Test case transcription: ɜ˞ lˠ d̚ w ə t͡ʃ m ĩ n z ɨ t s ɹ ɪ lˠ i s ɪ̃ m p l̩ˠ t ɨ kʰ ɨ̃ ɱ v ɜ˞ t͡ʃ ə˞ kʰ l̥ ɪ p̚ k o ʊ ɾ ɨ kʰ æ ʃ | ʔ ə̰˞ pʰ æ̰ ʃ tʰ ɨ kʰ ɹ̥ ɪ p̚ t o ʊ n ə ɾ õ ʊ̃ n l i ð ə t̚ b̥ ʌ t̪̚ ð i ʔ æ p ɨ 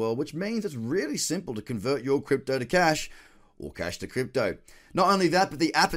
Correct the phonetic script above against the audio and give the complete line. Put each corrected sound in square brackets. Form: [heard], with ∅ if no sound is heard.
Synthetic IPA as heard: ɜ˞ lˠ d̚ w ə t͡ʃ m ĩ n z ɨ t s ɹ ɪ lˠ i s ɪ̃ m p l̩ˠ t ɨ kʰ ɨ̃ ɱ v ɜ˞ t͡ʃ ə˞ kʰ [ɹ̥] ɪ p̚ [t] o ʊ ɾ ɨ kʰ æ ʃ | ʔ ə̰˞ [kʰ] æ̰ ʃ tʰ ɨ kʰ ɹ̥ ɪ p̚ t o ʊ n ə ɾ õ ʊ̃ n l i ð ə t̚ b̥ ʌ t̪̚ ð i ʔ æ p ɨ